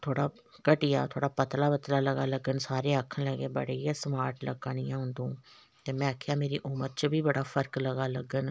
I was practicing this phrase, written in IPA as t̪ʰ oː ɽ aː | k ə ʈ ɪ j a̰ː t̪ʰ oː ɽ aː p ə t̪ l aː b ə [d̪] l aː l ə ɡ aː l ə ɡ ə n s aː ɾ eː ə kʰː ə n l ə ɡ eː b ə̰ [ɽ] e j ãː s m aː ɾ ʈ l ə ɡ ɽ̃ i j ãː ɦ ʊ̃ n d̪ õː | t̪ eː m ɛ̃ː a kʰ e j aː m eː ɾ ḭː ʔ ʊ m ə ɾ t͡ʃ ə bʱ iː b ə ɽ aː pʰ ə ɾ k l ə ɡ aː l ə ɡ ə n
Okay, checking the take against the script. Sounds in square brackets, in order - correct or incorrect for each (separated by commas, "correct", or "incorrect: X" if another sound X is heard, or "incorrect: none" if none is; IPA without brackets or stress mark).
incorrect: t̪, correct